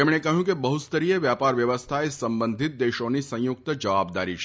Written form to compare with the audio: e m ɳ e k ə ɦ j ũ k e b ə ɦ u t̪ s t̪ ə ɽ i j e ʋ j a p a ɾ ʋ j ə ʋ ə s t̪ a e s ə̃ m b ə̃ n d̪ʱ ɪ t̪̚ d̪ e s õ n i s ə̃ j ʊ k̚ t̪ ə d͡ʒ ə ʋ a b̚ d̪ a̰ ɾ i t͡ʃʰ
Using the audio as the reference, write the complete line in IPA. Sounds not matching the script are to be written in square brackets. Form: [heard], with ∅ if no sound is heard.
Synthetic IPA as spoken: e m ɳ e k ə ɦ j ũ k e b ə ɦ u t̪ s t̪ ə [ɾ] i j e ʋ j a p a ɾ ʋ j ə ʋ ə s [t̪ʰ] a e s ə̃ m b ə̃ n d̪ʱ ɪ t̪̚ d̪ e [ʃ] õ n i s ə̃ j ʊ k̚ t̪ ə d͡ʒ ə ʋ a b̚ d̪ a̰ ɾ i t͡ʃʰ